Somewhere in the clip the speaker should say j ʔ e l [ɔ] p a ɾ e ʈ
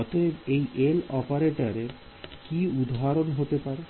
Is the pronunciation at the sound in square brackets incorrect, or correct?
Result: correct